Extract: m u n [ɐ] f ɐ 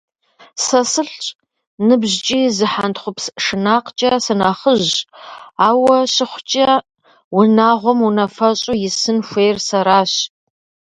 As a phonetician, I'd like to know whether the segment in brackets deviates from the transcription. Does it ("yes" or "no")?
no